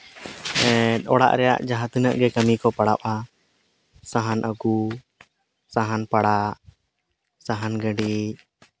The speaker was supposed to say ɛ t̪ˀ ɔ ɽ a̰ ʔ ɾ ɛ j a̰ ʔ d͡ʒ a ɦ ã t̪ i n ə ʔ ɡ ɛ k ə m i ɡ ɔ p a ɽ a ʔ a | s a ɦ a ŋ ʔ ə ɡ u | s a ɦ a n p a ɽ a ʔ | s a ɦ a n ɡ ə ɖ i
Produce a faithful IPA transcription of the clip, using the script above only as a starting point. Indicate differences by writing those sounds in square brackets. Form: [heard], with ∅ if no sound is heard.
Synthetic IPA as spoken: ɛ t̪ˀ ɔ ɽ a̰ ʔ ɾ ɛ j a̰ ʔ d͡ʒ a ɦ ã t̪ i n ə ʔ ɡ ɛ k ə m i [k] ɔ p a ɽ a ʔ a | s a ɦ a [n] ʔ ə ɡ u | s a ɦ a n p a ɽ a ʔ | s a ɦ a n ɡ ə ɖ i

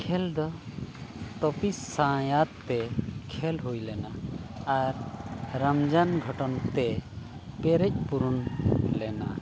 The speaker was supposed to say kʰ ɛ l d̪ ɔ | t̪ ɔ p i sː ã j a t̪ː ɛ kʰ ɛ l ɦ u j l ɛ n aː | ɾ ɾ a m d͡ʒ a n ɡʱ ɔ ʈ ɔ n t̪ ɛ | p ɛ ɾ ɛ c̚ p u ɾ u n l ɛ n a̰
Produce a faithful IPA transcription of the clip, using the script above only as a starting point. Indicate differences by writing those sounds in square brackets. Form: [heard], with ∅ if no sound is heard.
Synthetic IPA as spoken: kʰ ɛ l d̪ ɔ | t̪ ɔ p i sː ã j a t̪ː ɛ kʰ ɛ l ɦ u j l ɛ n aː | ɾ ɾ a m d͡ʒ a n ɡʱ ɔ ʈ ɔ n t̪ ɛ | p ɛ ɾ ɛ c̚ p u ɾ u n l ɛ n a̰

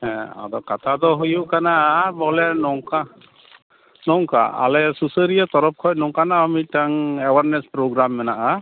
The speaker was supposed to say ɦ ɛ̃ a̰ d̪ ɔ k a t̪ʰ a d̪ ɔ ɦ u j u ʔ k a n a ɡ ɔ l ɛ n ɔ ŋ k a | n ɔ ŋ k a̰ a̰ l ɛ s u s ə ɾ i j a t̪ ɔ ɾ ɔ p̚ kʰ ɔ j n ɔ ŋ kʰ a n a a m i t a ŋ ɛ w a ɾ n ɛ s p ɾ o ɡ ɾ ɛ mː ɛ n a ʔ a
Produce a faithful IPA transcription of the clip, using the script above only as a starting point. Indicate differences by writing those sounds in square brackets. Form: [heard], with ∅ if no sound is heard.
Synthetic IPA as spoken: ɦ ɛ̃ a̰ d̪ ɔ k a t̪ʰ a d̪ ɔ ɦ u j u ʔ k a n a [b] ɔ l ɛ n ɔ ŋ k a | n ɔ ŋ k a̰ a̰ l ɛ s u s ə ɾ i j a t̪ ɔ ɾ ɔ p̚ kʰ ɔ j n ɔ ŋ [k] a n a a m i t a ŋ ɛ w a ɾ n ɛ s p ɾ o ɡ ɾ [a] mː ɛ n a ʔ a

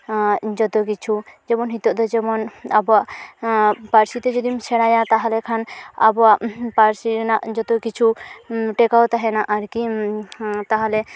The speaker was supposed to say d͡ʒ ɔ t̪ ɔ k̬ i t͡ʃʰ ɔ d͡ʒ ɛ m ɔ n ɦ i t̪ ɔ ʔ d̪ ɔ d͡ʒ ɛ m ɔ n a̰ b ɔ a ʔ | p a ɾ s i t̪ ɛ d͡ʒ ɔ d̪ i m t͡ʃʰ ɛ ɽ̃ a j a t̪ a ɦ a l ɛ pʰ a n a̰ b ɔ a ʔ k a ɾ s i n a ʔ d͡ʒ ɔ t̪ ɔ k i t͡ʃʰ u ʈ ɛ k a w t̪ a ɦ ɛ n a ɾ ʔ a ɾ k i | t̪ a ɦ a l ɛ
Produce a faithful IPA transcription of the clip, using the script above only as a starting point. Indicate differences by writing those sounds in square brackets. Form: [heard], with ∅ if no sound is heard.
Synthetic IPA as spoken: d͡ʒ ɔ t̪ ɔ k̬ i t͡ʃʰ [u] d͡ʒ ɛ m ɔ n ɦ i t̪ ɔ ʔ d̪ ɔ d͡ʒ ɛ m ɔ n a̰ b ɔ a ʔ | p a ɾ s i t̪ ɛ d͡ʒ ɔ d̪ i m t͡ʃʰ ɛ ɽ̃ a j a t̪ a ɦ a l ɛ [kʰ] a n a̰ b ɔ a ʔ [p] a ɾ s i n a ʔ d͡ʒ ɔ t̪ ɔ k i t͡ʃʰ u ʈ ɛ k a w t̪ a ɦ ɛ n a [∅] ʔ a ɾ k i | t̪ a ɦ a l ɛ

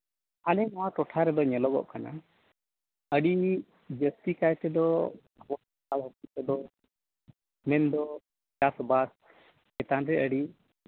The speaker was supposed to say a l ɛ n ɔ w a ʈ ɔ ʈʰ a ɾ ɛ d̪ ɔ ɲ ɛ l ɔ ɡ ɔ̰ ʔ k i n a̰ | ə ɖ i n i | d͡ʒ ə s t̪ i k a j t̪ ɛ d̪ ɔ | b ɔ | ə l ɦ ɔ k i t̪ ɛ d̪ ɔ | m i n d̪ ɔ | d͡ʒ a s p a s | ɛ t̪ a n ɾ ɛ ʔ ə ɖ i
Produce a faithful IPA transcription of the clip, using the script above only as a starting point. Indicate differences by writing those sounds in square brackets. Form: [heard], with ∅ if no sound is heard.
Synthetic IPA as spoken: a l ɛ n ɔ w a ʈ ɔ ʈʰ a ɾ ɛ d̪ ɔ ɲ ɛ l ɔ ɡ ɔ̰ ʔ k [a] n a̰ | ə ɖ i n i | d͡ʒ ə s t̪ i k a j t̪ ɛ d̪ ɔ | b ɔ | [a] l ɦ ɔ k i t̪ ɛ d̪ ɔ | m [ɛ] n d̪ ɔ | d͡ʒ a s [b] a s | ɛ t̪ a n ɾ ɛ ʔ ə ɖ i

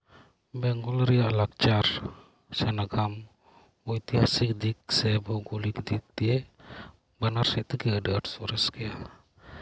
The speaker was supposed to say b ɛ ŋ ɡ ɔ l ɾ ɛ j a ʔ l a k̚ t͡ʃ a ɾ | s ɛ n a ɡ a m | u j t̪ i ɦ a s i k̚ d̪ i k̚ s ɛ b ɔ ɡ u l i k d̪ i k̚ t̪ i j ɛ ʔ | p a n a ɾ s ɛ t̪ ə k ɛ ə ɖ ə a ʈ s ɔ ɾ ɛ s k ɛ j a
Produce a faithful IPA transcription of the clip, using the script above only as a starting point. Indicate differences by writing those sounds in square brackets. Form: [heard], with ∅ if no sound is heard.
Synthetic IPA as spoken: b ɛ ŋ ɡ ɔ l ɾ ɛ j a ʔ l a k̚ t͡ʃ a ɾ | s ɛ n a ɡ a m | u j t̪ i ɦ a s i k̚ d̪ i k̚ s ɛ b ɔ ɡ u l i k d̪ i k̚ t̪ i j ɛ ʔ | [b] a n a ɾ s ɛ t̪ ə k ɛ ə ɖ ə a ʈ s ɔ ɾ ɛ s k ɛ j a

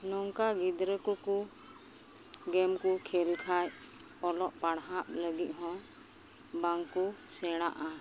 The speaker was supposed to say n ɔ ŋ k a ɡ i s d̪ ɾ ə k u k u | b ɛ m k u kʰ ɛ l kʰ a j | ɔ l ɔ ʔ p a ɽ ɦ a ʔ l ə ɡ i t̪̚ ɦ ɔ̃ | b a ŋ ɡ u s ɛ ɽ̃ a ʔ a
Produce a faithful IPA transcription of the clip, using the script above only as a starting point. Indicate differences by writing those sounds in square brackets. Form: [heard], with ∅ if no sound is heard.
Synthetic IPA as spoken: n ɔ ŋ k a ɡ i [∅] d̪ ɾ ə k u k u | [ɡ] ɛ m k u kʰ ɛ l kʰ a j | ɔ l ɔ ʔ p a ɽ ɦ a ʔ l ə ɡ i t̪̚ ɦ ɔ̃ | b a ŋ [k] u s ɛ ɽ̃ a ʔ a

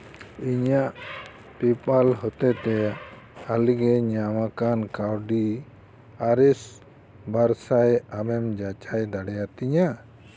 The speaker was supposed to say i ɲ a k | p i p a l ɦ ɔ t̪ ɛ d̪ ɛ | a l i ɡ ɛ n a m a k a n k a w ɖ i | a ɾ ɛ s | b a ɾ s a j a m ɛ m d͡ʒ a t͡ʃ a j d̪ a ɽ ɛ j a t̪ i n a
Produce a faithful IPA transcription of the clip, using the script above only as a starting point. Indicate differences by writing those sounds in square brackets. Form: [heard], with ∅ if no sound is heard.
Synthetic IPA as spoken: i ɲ a [ʔ] | p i p a l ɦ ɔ t̪ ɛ [t̪] ɛ | a l i ɡ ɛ [ɲ] a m a k a n k a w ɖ i | a ɾ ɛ s | b a ɾ s a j a m ɛ m d͡ʒ a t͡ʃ a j d̪ a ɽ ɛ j a t̪ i [ɲ] a

